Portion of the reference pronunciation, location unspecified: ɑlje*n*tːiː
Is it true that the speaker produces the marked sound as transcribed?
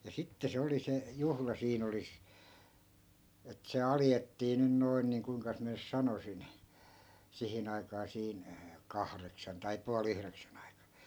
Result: no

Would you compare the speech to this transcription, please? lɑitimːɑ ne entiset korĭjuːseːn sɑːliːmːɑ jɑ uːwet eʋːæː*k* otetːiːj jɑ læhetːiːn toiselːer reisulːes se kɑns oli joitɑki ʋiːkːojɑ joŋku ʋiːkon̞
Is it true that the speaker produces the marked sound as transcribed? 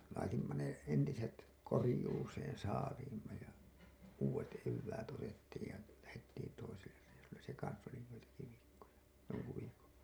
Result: no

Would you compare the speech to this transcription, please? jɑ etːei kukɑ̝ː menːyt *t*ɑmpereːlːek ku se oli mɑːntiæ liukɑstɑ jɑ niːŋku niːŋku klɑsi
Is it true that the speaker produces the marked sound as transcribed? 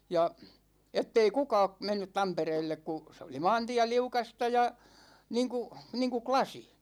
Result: yes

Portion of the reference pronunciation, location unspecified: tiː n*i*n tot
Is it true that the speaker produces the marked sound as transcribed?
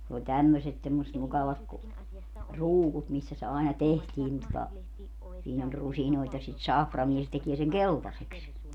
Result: yes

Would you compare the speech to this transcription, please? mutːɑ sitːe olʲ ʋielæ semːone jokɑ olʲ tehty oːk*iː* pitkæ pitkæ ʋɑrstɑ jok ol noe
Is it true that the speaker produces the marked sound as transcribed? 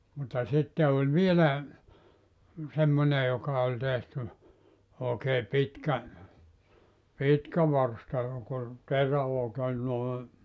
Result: no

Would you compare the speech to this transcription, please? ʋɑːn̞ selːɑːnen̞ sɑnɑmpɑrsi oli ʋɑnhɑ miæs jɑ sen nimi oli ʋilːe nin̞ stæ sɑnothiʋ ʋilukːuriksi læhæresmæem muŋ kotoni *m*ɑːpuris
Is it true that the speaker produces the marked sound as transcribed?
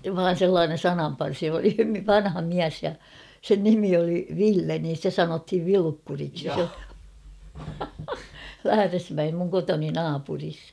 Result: no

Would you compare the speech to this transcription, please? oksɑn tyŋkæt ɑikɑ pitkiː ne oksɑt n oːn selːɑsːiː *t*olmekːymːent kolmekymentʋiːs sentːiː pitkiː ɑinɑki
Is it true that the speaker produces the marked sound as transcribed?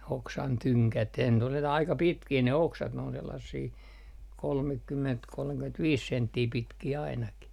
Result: no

